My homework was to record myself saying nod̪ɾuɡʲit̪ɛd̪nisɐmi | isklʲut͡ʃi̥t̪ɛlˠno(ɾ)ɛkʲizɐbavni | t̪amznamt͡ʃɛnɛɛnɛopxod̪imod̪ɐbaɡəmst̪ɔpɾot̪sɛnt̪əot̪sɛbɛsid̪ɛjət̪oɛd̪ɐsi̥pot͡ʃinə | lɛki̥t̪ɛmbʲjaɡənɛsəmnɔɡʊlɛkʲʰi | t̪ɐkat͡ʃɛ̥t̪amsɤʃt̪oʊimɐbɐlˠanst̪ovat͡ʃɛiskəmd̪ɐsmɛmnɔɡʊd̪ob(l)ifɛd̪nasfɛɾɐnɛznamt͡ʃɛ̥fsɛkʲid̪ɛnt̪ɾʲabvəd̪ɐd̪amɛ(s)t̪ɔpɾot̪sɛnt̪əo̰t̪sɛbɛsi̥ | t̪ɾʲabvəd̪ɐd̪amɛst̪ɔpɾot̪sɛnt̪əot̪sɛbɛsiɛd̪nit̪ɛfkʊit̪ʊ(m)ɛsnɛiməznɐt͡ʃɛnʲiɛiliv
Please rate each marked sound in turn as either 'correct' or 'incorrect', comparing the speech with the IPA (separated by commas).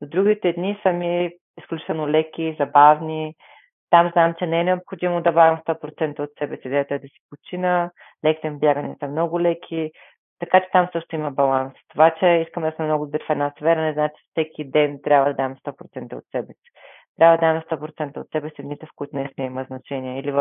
incorrect, incorrect, correct, incorrect